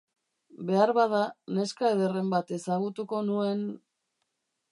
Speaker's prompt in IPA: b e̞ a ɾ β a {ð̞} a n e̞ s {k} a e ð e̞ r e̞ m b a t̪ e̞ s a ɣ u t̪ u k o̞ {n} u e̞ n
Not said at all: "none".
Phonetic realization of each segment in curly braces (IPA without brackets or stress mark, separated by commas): ð̞, k, n